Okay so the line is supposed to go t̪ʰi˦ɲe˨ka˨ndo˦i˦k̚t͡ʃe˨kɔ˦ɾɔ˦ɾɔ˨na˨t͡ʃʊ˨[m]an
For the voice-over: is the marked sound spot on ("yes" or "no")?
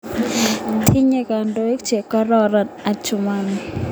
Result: yes